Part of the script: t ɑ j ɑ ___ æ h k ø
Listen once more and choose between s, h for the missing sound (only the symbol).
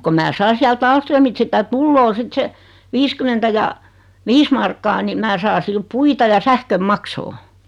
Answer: s